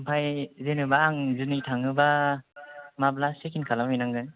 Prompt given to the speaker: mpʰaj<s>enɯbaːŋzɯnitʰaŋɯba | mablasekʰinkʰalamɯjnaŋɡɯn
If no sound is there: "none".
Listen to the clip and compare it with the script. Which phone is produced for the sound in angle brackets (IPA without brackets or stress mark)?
z